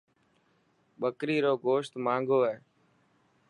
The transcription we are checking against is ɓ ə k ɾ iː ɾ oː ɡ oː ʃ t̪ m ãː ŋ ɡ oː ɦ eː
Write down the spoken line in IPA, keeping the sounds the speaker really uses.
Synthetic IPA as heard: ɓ ə k ɾ iː ɾ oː ɡ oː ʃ t̪ m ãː ŋ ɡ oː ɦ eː